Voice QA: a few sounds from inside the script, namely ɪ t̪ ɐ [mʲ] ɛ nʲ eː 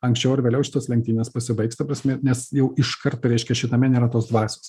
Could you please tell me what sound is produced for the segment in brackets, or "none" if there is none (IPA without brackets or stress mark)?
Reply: mʲ